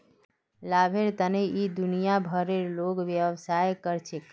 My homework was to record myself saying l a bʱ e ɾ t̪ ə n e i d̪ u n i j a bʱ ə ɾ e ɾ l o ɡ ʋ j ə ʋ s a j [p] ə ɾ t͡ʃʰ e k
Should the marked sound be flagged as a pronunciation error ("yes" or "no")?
yes